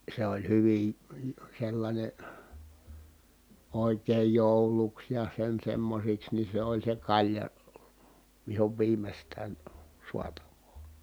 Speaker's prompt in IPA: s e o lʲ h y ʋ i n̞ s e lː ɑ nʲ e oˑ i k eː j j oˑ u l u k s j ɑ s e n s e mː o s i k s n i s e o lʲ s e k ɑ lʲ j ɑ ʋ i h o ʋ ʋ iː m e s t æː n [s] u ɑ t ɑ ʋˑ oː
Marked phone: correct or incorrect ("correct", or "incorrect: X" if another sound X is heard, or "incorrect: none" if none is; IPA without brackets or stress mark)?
correct